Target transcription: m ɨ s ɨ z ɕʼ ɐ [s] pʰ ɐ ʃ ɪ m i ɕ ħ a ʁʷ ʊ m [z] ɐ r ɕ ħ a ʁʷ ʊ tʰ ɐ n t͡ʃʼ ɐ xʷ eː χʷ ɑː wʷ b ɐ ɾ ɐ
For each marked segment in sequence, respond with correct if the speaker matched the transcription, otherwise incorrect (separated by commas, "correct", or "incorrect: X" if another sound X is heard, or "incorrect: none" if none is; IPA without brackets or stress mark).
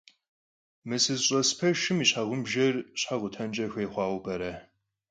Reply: correct, incorrect: ʒ